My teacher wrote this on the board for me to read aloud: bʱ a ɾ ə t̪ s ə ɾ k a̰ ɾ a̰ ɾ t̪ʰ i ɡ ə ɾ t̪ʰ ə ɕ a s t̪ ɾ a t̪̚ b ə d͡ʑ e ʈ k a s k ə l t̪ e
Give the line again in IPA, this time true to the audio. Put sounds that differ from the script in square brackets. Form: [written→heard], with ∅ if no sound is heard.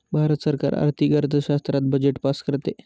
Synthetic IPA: bʱ a ɾ ə t̪ s ə ɾ k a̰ ɾ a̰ ɾ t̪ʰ i ɡ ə ɾ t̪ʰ ə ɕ a s t̪ ɾ a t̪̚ b ə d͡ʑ e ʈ [k→p] a s k ə [l→ɾ] t̪ e